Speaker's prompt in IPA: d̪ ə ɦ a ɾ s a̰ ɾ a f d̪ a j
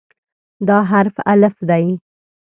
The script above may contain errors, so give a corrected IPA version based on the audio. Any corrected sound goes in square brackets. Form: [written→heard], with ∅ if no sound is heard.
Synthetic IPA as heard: d̪ [ə→ɑ] ɦ a ɾ [s→f] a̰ [ɾ→l] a f d̪ a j